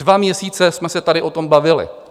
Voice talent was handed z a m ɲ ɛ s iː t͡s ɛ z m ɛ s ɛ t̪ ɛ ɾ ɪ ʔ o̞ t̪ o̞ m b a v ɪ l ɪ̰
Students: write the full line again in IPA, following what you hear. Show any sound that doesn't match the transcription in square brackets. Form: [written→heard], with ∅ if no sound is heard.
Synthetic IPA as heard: [z→v] a m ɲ ɛ s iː t͡s ɛ [z→s] m ɛ s ɛ t̪ [ɛ→a] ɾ ɪ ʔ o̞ t̪ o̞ m b a v ɪ l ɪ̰